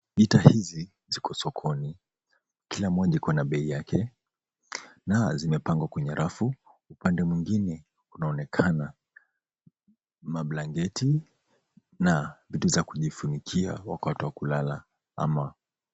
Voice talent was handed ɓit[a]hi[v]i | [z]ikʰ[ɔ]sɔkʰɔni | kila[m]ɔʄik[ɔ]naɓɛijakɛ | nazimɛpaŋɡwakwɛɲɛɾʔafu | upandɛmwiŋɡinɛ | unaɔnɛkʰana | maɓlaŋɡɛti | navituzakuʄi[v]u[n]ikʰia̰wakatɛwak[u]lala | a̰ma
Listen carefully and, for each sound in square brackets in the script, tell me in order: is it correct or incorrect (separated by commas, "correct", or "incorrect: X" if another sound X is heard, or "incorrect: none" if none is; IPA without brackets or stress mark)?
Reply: correct, incorrect: z, correct, correct, correct, correct, incorrect: f, correct, correct